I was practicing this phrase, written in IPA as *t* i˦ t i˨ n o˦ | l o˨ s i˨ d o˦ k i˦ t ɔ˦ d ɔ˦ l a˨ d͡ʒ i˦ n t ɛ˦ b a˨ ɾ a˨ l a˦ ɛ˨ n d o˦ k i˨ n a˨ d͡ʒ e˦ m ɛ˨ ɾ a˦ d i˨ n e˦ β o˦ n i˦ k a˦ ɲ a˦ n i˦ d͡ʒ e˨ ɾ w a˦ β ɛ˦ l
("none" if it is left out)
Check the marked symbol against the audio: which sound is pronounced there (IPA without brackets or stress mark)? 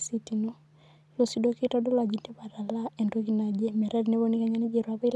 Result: s